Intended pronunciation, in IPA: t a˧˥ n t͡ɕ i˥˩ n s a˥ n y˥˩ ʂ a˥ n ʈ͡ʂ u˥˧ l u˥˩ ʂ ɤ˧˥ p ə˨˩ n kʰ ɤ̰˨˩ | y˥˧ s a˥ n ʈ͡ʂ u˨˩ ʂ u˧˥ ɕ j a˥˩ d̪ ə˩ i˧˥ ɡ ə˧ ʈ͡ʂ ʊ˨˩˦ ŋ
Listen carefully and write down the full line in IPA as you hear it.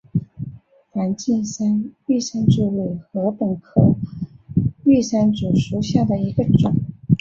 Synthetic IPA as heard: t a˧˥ n t͡ɕ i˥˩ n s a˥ n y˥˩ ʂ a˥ n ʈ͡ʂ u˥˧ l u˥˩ x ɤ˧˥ p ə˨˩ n kʰ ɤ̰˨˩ | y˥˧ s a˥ n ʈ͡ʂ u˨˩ ʂ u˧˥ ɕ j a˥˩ d̪ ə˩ i˧˥ ɡ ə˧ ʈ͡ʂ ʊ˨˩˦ ŋ